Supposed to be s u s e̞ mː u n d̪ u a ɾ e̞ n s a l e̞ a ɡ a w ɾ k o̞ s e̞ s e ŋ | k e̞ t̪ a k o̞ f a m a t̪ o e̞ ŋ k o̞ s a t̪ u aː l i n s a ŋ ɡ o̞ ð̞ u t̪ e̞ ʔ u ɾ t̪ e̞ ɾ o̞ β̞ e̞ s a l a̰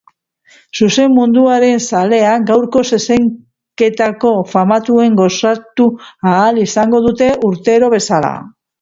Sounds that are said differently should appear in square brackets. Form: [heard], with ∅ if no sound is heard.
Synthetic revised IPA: s u s e̞ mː u n d̪ u a ɾ e̞ n s a l e̞ a ɡ a w ɾ k o̞ s e̞ s e ŋ | k e̞ t̪ a k o̞ f a m a t̪ [u] e̞ ŋ [ɡ] o̞ s a t̪ u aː l i [∅] s a ŋ ɡ o̞ ð̞ u t̪ e̞ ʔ u ɾ t̪ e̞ ɾ o̞ β̞ e̞ s a l a̰